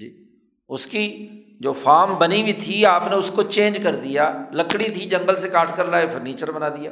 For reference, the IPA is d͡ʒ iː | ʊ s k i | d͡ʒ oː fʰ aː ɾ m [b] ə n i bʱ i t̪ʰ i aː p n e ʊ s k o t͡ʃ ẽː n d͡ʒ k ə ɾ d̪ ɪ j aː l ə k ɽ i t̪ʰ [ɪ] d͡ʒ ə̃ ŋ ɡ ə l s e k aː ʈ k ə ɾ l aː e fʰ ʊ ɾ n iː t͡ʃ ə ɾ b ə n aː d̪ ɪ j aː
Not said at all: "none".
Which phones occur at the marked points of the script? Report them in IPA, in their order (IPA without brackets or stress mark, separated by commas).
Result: b, i